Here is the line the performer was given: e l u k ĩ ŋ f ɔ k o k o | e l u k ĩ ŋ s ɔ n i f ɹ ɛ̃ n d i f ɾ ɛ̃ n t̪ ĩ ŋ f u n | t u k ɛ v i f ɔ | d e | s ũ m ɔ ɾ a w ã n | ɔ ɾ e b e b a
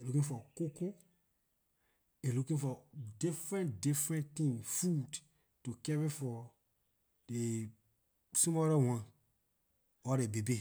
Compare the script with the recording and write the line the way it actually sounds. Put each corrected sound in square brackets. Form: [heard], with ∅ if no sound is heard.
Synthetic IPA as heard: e l u k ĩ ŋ f ɔ k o k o | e l u k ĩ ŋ [f] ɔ [d] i f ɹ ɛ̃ n d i f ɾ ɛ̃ n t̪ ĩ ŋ f u [d] | t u k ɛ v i f ɔ | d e | s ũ m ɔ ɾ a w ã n | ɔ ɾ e b e b [e]